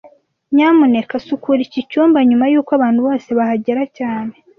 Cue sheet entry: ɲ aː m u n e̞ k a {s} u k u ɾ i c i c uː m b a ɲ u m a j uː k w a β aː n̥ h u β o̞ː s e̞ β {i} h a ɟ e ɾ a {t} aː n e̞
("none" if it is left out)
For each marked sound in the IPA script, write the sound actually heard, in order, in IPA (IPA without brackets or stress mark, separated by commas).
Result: s, a, c